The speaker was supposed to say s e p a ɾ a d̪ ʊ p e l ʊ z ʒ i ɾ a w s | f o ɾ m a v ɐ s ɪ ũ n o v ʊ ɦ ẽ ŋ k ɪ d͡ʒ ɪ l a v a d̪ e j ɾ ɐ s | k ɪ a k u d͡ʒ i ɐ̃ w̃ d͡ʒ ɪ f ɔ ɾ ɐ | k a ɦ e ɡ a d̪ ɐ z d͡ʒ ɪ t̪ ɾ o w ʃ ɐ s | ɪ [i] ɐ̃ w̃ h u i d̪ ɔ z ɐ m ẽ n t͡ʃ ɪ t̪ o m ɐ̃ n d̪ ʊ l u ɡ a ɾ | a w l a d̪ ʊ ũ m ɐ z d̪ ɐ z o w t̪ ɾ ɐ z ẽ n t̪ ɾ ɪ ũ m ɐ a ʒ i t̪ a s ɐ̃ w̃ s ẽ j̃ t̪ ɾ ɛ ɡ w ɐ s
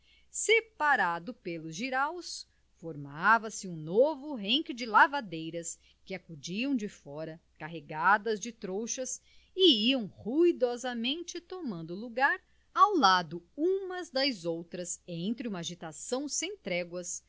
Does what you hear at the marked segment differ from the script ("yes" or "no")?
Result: no